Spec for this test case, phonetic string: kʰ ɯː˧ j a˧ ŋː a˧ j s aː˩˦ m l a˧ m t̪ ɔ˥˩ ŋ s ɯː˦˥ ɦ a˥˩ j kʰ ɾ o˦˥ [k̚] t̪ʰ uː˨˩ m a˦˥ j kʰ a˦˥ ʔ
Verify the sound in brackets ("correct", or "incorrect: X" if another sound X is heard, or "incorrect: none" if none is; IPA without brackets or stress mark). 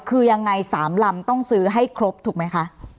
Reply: incorrect: p̚